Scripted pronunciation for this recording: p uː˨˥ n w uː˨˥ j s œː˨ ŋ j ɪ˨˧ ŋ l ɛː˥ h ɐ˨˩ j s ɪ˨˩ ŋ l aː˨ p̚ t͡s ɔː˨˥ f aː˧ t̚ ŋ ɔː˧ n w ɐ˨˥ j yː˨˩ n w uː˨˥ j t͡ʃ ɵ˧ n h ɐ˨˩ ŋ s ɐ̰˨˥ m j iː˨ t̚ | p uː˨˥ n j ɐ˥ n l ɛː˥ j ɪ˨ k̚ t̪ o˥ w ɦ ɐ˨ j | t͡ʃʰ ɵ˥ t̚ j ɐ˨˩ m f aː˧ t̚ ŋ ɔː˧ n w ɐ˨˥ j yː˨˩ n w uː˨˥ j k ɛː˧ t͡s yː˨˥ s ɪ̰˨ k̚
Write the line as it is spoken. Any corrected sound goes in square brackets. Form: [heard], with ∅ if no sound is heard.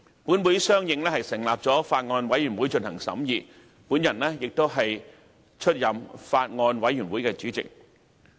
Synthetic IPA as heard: p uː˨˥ n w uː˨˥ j s [œː˥] ŋ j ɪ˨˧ ŋ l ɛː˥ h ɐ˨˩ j s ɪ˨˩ ŋ l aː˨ p̚ t͡s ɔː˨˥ f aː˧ t̚ ŋ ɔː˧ n w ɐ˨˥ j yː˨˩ n w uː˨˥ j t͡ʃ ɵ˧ n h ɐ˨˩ ŋ s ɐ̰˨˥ m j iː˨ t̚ | p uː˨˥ n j [ɐ˨˩] n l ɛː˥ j ɪ˨ k̚ t̪ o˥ w ɦ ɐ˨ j | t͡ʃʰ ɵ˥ t̚ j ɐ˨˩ m f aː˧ t̚ ŋ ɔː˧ n w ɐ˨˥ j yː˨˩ n w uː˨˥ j k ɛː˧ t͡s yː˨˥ [t͡s] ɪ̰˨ k̚